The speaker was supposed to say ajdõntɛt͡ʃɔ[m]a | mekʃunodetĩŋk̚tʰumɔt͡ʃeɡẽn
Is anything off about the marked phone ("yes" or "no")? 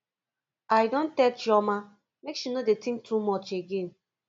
no